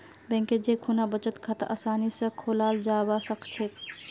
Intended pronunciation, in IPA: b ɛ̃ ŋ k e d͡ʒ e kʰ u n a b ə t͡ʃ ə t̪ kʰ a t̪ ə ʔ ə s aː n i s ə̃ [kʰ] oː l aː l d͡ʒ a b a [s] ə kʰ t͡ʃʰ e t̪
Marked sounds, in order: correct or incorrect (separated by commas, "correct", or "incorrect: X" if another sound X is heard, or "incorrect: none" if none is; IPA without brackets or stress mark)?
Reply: correct, correct